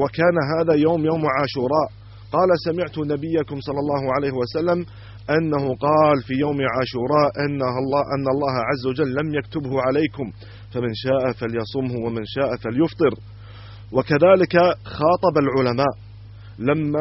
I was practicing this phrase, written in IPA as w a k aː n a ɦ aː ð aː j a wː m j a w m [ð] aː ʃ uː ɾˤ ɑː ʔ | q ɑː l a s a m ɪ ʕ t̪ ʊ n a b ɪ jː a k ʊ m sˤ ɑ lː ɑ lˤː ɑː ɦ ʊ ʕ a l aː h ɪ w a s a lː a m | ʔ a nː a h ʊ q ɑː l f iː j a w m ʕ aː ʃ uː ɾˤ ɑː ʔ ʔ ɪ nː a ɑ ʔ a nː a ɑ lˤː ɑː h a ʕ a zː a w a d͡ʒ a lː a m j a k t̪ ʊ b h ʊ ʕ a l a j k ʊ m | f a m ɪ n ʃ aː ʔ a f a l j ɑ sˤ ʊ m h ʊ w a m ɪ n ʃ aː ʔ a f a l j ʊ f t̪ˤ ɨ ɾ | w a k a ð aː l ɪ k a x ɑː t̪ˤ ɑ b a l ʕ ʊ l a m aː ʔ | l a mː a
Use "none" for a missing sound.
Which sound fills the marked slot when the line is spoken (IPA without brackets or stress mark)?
ʕ